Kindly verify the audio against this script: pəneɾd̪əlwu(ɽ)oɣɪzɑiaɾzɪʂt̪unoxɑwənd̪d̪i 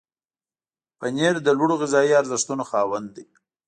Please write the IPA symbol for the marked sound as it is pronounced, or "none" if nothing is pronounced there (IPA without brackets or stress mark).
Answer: ɽ